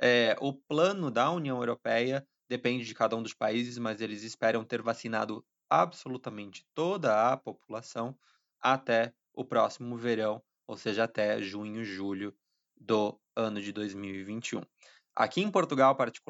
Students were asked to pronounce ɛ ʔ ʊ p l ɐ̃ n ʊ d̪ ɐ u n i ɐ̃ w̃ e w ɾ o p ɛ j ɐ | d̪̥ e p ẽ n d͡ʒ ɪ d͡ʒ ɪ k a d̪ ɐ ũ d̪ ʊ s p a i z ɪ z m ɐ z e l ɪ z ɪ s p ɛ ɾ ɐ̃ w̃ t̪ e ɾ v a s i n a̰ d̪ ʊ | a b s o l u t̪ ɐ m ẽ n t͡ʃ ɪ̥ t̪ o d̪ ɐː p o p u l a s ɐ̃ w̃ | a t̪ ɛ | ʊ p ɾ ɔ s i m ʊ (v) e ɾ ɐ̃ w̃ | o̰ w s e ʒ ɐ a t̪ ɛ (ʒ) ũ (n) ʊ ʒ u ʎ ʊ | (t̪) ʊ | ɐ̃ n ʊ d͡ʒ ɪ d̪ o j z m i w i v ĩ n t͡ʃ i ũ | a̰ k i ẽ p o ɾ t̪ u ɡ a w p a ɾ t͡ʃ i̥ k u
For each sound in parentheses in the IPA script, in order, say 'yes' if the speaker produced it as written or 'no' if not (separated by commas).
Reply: yes, yes, no, no